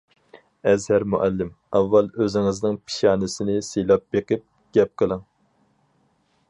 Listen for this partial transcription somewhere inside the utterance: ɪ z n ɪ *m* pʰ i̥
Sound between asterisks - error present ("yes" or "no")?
yes